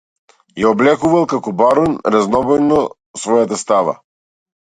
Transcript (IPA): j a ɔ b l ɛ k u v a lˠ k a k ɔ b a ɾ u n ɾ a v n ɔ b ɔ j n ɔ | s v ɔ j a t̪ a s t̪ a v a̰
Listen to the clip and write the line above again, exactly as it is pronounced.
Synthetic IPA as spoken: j a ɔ b l ɛ k u v a lˠ k a k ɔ b a ɾ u n ɾ a z n ɔ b ɔ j n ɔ | s v ɔ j a t̪ a s t̪ a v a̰